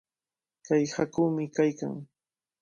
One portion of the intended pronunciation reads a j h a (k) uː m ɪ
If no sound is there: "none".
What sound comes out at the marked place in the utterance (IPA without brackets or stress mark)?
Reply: k